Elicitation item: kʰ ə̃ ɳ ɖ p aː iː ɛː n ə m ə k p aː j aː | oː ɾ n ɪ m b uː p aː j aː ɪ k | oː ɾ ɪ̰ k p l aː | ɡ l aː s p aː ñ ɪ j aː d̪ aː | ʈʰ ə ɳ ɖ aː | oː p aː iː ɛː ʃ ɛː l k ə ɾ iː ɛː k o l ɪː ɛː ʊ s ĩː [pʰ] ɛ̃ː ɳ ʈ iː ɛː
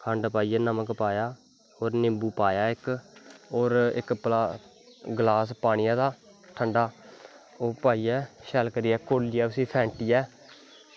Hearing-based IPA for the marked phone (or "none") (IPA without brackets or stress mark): pʰ